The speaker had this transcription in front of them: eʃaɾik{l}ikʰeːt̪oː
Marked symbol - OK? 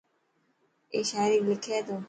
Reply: yes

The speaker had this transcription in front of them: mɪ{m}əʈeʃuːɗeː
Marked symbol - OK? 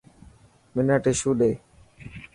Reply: no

